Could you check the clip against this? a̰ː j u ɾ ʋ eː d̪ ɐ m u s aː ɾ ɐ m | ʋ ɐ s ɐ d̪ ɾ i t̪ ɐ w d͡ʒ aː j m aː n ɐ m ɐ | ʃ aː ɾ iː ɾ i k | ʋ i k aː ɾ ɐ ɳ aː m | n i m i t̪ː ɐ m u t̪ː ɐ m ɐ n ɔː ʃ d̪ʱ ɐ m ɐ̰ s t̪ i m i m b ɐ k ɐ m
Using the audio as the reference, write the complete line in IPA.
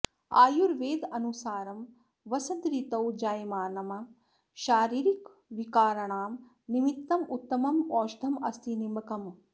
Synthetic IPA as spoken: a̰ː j u ɾ ʋ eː d̪ ɐ n u s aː ɾ ɐ m | ʋ ɐ s ɐ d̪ ɾ i t̪ ɐ w d͡ʒ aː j m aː n ɐ m ɐ | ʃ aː ɾ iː ɾ i k | ʋ i k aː ɾ ɐ ɳ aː m | n i m i t̪ː ɐ m u t̪ː ɐ m ɐ m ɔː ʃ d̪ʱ ɐ m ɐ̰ s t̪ i n i m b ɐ k ɐ m